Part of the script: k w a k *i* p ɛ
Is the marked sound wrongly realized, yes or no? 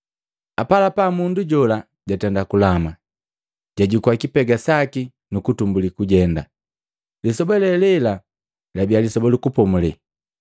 no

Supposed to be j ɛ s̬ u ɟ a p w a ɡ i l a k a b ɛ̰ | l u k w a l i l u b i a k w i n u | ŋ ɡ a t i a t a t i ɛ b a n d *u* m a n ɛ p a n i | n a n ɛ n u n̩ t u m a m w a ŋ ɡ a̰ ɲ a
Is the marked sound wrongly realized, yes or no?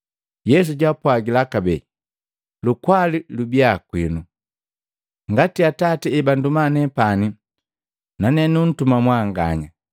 no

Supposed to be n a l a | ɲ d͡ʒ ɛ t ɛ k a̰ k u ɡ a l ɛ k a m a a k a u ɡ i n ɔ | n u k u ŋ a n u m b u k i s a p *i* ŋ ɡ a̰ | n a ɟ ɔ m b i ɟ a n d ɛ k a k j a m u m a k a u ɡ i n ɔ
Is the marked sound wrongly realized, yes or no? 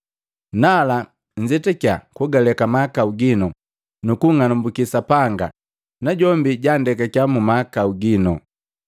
yes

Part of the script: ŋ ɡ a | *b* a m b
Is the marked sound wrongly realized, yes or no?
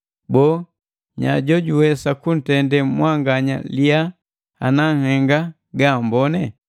yes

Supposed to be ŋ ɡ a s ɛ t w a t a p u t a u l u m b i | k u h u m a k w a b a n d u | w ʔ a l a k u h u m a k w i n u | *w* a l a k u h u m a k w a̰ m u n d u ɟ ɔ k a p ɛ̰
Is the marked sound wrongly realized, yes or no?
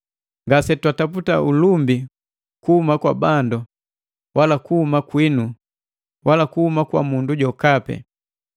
no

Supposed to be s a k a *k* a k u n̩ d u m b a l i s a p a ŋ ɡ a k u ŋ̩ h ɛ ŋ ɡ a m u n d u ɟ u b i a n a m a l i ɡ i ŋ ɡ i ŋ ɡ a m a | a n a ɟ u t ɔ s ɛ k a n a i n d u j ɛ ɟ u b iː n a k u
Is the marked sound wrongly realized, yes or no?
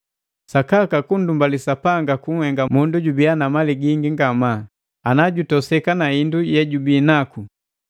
no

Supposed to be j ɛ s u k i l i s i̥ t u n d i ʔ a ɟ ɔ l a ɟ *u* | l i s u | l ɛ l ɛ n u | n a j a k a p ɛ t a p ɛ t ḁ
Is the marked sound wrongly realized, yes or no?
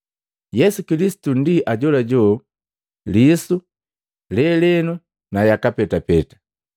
yes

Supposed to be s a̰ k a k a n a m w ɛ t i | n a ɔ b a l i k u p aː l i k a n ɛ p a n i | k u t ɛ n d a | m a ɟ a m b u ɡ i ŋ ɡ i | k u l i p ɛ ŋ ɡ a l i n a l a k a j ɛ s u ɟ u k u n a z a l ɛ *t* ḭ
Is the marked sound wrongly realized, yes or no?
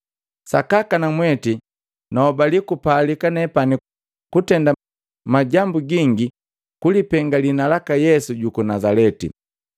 no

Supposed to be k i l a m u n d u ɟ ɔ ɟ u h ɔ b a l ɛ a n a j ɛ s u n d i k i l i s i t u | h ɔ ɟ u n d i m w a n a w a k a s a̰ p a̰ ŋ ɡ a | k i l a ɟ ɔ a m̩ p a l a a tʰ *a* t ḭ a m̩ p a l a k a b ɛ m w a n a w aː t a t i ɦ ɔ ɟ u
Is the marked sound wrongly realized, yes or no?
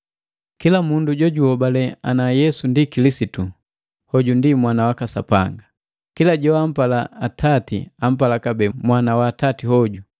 no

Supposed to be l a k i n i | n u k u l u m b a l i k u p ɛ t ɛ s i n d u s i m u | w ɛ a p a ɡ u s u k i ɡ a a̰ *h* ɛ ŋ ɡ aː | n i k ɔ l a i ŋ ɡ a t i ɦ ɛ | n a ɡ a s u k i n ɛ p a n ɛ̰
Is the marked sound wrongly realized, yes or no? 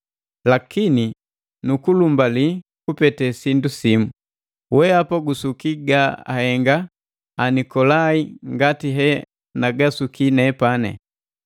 no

